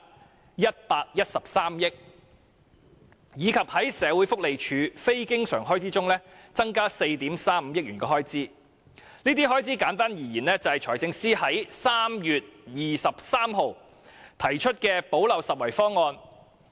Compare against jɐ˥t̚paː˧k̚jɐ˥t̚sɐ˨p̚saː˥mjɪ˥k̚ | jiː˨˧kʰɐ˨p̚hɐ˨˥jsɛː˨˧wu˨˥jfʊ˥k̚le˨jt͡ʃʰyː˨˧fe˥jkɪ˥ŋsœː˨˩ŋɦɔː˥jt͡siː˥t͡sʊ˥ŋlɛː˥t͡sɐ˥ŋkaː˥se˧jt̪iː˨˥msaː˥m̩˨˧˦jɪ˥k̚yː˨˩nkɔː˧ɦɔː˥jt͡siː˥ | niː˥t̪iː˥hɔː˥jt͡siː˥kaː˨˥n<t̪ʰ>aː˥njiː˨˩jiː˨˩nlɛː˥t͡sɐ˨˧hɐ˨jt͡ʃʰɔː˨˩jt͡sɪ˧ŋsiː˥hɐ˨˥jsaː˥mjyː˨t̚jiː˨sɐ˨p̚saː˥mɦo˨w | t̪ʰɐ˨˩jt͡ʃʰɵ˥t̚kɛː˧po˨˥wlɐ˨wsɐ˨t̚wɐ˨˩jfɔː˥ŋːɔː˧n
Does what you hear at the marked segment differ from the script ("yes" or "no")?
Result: yes